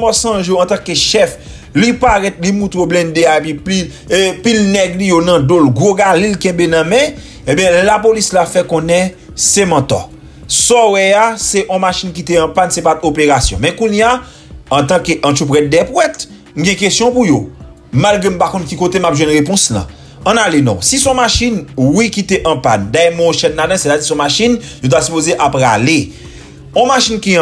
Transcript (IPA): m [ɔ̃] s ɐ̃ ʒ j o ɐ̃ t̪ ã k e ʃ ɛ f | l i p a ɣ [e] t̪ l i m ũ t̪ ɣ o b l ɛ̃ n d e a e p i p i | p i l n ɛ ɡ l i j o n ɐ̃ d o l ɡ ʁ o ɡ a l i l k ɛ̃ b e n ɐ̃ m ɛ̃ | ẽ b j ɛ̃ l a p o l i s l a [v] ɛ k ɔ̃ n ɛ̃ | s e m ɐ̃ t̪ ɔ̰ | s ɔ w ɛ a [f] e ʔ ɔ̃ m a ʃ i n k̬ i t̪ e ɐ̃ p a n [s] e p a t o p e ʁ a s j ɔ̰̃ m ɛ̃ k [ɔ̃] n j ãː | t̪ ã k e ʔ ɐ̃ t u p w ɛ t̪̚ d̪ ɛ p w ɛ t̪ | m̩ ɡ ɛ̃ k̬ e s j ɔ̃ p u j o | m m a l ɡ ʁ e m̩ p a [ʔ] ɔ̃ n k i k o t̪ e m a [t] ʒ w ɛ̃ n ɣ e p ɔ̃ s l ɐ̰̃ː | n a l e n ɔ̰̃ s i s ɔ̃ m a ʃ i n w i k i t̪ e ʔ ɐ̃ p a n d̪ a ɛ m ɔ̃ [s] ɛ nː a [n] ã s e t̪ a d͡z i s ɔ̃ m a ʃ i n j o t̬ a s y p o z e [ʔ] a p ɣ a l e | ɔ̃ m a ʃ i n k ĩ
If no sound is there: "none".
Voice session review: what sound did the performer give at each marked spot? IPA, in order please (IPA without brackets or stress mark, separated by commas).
ɔ, ɛ, f, s, s, ũ, k, p, ʃ, d, ʔ